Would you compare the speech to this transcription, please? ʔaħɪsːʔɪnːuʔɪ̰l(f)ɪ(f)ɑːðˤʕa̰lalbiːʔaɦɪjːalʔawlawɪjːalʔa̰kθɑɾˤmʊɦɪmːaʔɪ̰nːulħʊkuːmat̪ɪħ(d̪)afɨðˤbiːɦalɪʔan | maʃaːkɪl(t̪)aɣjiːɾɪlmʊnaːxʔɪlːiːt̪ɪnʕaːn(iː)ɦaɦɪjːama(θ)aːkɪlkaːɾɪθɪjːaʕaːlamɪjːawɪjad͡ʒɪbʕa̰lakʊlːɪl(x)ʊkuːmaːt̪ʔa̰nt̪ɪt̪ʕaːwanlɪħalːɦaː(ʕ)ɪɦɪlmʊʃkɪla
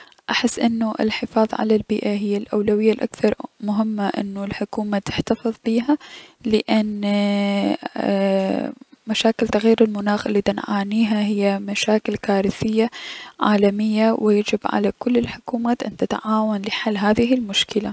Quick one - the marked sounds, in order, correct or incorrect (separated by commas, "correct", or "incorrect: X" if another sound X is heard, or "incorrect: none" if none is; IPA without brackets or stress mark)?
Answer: incorrect: ħ, correct, incorrect: t̪, correct, correct, incorrect: ʃ, incorrect: ħ, incorrect: ð